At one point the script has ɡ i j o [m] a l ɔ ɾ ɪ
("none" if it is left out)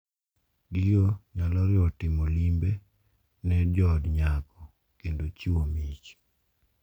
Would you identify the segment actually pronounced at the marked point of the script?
ɲ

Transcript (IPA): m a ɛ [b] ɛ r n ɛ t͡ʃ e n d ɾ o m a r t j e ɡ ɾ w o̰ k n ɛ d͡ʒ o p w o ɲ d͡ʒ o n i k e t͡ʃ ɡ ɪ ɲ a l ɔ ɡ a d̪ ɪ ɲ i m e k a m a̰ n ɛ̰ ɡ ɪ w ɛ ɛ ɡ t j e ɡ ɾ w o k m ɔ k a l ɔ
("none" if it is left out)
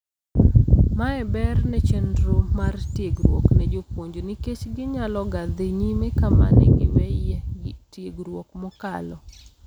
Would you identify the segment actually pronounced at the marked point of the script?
b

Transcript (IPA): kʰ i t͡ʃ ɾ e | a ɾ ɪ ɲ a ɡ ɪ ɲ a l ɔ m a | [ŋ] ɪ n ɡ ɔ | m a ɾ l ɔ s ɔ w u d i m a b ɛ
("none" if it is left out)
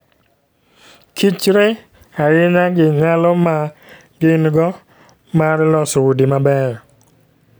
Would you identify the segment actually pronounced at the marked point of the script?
ɡ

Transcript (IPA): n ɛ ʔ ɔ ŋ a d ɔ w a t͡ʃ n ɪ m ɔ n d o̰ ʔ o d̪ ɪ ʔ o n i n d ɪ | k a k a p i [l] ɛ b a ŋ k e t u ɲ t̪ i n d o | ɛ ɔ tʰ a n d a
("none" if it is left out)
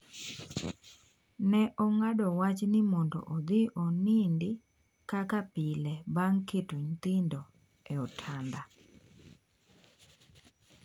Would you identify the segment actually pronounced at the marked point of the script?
l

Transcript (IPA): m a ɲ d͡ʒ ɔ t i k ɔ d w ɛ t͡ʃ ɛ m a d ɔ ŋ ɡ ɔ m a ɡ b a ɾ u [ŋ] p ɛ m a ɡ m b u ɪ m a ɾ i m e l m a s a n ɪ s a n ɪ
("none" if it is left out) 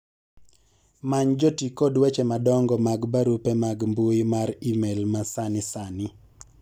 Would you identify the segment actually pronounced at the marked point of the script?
none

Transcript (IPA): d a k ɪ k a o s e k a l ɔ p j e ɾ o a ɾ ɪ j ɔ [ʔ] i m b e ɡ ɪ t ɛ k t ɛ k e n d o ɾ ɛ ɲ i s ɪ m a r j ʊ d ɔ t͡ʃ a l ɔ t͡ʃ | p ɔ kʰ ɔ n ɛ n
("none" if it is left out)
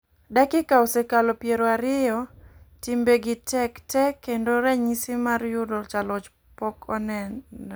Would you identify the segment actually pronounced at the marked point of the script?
t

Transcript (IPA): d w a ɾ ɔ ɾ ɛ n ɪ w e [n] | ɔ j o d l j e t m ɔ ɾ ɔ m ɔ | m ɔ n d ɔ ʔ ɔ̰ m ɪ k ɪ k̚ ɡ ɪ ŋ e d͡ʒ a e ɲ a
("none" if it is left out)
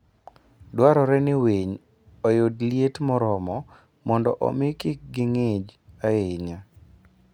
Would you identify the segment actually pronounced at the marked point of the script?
ɲ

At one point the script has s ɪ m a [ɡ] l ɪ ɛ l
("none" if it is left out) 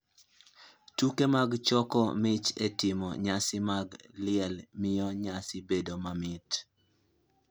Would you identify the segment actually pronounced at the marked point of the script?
ɡ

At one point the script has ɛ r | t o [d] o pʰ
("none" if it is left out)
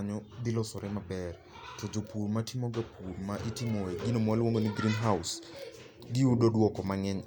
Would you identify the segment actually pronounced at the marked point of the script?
d͡ʒ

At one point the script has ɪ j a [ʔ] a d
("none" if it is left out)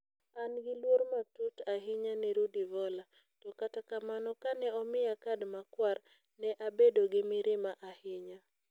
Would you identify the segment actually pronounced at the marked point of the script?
k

